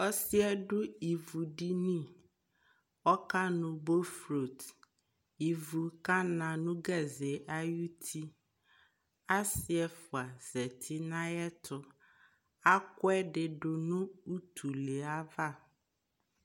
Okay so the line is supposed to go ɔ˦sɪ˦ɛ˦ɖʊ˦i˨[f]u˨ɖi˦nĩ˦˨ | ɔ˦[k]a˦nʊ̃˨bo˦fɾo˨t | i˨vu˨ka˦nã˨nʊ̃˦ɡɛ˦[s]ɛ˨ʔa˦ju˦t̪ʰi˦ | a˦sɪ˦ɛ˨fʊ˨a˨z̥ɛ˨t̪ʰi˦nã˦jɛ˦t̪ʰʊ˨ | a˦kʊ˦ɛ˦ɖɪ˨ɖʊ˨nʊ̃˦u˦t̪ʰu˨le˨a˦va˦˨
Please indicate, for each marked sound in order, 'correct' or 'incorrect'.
incorrect, correct, incorrect

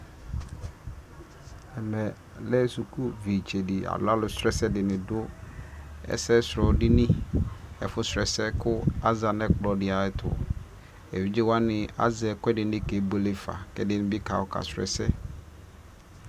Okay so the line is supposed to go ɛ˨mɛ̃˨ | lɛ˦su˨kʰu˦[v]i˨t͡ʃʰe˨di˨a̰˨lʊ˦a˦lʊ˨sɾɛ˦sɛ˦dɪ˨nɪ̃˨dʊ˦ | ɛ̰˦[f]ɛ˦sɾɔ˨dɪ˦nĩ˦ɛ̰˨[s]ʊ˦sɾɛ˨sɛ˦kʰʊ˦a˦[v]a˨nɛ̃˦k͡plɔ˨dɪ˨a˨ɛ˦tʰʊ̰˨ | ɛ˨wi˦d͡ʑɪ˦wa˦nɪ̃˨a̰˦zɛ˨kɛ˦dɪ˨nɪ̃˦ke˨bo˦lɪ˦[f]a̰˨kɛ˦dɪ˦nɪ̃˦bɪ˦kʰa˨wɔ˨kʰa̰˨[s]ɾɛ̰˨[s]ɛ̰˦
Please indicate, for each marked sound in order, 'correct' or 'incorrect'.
correct, incorrect, incorrect, incorrect, correct, correct, correct

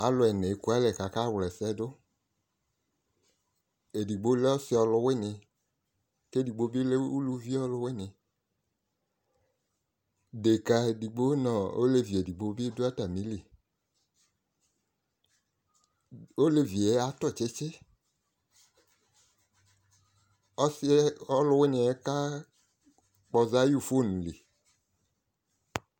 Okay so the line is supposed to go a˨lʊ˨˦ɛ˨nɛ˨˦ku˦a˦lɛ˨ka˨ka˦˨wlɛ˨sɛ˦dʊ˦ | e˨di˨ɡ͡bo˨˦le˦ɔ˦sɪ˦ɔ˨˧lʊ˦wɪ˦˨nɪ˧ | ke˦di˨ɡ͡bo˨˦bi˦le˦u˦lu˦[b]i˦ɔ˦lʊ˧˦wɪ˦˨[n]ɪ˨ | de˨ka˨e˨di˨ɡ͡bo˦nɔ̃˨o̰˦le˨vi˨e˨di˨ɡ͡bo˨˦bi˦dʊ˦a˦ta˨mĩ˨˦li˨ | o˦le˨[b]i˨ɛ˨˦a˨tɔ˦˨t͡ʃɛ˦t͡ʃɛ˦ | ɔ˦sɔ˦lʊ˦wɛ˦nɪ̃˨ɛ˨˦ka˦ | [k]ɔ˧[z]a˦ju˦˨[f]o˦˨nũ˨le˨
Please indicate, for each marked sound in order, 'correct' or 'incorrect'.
incorrect, correct, incorrect, incorrect, correct, correct

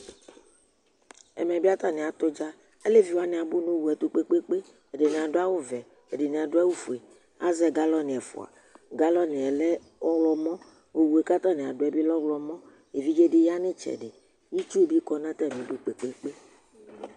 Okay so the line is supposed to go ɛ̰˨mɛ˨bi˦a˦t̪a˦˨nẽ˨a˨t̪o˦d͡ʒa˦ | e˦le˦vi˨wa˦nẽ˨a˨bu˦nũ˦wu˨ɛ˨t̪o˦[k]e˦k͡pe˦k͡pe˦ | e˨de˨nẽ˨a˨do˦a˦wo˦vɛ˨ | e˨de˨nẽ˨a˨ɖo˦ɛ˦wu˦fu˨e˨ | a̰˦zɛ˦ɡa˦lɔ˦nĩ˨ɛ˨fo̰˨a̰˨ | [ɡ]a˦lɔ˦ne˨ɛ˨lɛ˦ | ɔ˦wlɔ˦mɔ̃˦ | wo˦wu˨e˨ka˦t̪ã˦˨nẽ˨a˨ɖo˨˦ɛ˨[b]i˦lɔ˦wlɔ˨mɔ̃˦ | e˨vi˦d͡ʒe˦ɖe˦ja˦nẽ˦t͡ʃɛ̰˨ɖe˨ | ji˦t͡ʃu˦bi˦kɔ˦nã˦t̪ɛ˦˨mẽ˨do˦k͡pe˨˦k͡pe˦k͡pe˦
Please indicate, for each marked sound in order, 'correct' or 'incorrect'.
incorrect, correct, correct

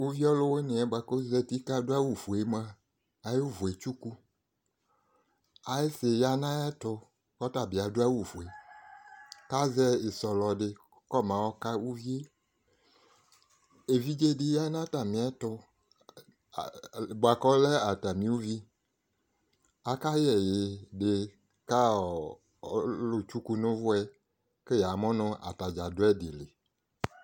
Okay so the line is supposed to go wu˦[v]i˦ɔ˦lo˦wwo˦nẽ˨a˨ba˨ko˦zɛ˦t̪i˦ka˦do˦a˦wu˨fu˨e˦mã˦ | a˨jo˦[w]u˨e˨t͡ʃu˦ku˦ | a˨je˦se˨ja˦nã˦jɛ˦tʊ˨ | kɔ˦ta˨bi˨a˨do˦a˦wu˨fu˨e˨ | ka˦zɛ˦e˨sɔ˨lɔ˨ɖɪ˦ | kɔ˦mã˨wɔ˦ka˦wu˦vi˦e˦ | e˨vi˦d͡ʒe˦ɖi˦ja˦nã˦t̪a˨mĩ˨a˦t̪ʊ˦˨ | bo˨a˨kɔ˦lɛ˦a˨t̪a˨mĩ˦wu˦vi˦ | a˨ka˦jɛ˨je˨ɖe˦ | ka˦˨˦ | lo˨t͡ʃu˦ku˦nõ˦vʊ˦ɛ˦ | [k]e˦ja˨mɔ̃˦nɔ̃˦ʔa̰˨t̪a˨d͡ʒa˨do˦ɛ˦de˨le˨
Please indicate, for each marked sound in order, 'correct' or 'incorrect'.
correct, incorrect, correct

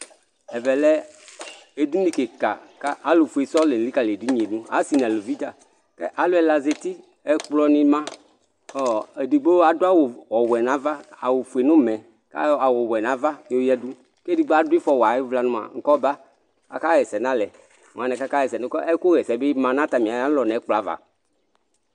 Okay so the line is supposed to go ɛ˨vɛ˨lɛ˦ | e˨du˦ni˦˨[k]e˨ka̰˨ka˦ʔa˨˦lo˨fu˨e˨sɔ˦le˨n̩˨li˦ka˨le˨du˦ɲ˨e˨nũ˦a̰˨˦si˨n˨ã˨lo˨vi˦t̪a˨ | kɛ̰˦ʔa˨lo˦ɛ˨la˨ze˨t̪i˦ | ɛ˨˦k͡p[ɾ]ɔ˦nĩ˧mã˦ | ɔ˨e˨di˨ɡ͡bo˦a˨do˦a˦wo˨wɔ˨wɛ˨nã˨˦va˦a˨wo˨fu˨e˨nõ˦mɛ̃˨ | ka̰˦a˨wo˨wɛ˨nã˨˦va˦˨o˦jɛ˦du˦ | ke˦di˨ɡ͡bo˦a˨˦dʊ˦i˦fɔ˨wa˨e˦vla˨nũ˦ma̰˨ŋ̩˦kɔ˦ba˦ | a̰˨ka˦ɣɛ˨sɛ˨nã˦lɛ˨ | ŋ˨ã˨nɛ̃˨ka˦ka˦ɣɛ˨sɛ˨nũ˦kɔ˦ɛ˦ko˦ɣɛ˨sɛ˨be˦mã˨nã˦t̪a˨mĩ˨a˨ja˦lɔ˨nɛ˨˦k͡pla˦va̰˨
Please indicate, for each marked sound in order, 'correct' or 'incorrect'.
correct, incorrect

